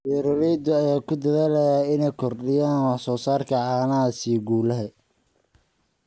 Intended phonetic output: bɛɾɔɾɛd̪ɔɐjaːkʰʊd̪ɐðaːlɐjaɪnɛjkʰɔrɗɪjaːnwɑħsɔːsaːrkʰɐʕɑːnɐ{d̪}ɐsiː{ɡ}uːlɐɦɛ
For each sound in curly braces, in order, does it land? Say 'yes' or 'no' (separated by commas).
no, yes